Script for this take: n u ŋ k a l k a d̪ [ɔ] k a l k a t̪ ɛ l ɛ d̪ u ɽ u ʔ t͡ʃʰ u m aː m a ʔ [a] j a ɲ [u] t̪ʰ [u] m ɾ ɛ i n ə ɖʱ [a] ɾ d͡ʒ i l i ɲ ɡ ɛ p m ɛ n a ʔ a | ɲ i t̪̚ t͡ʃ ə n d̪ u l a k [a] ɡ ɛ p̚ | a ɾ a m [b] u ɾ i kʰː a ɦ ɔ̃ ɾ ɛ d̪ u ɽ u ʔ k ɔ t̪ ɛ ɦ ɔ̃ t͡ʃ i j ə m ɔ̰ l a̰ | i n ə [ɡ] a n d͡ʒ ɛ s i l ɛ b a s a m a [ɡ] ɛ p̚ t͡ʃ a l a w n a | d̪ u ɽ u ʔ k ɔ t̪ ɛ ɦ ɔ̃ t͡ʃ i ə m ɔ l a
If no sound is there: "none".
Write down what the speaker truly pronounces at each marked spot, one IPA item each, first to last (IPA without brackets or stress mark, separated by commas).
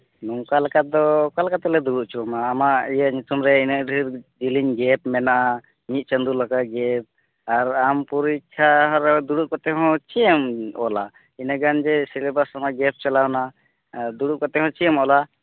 ɔ, i, u, u, i, a, p, ɡ, ɡ